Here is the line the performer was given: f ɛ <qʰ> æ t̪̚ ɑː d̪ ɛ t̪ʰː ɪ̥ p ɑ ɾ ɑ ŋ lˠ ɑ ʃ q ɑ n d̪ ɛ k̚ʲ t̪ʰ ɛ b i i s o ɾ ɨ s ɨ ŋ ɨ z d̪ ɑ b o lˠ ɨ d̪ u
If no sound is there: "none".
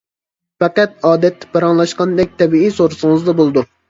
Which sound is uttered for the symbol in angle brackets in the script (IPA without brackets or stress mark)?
q